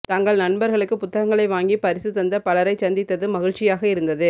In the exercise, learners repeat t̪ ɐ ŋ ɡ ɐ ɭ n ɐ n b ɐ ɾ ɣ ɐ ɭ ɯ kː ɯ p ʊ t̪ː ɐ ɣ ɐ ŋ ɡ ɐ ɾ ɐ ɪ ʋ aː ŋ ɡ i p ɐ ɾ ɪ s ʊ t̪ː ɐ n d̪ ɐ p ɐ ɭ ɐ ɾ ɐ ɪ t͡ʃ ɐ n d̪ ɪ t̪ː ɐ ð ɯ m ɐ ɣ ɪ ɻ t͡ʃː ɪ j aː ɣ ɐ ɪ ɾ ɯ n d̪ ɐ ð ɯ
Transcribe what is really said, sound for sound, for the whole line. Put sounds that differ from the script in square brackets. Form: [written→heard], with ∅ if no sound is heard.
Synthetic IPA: t̪ ɐ ŋ ɡ ɐ ɭ n ɐ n b ɐ ɾ ɣ ɐ ɭ ɯ kː ɯ p ʊ t̪ː ɐ ɣ ɐ ŋ ɡ ɐ [ɾ→ɭ] ɐ ɪ ʋ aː ŋ ɡ i p ɐ ɾ ɪ s [ʊ→ɯ] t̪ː ɐ n d̪ ɐ p ɐ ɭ ɐ ɾ ɐ ɪ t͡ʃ ɐ n d̪ ɪ t̪ː ɐ ð ɯ m ɐ ɣ ɪ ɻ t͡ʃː ɪ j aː ɣ ɐ ɪ ɾ ɯ n d̪ ɐ ð ɯ